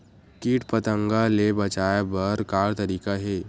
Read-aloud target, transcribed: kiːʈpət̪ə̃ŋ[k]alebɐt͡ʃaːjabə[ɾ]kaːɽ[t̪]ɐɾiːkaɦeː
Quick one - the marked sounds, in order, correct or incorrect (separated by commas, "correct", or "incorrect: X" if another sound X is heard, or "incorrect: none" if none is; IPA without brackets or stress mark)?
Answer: incorrect: ɡ, correct, correct